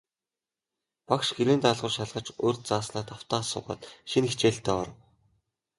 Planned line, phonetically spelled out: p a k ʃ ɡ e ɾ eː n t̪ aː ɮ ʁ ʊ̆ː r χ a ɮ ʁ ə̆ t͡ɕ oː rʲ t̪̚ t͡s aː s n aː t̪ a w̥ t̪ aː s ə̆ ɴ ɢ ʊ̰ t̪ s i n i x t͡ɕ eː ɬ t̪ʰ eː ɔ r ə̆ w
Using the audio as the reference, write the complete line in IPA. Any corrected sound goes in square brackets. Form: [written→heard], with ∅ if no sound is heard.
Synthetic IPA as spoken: p a k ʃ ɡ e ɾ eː n t̪ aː ɮ ʁ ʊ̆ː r [χ→ʃ] a ɮ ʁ ə̆ t͡ɕ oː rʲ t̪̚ t͡s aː s n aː t̪ a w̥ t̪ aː s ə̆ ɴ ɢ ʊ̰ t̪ [s→ʃ] i n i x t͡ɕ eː ɬ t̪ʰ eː ɔ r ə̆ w